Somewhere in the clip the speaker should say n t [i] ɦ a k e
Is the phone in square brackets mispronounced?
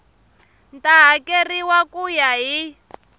yes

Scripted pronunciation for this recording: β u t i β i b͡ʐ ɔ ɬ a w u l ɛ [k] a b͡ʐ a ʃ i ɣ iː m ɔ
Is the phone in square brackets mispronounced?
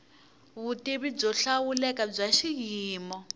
no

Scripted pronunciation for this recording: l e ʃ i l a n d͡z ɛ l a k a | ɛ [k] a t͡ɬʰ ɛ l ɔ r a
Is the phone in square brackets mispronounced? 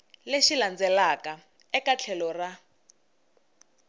no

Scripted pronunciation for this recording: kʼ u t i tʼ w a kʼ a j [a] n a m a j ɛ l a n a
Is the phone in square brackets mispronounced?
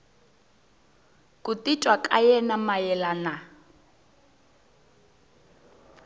yes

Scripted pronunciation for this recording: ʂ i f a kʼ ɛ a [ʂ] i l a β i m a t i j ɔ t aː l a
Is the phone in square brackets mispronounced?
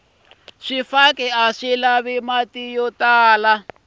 no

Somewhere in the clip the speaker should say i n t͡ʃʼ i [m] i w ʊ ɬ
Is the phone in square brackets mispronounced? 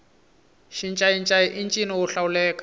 yes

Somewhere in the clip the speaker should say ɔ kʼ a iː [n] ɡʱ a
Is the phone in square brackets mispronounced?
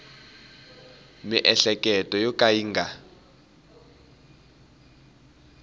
yes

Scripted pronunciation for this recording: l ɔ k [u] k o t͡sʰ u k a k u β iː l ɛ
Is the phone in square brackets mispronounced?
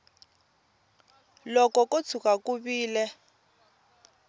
yes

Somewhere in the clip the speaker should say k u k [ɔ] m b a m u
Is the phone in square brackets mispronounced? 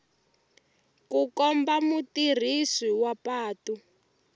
no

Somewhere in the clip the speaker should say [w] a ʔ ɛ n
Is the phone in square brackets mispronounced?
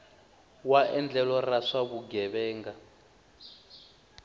no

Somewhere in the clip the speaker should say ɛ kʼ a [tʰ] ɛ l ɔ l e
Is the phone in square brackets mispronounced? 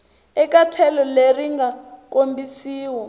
no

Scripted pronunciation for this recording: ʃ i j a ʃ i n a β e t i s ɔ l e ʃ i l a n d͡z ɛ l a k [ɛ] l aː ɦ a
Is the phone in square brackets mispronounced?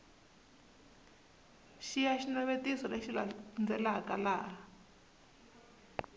yes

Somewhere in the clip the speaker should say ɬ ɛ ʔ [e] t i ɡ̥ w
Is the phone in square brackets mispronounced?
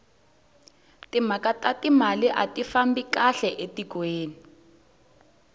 no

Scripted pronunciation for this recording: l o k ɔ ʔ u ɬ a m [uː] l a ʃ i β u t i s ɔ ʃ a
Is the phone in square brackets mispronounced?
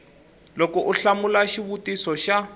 yes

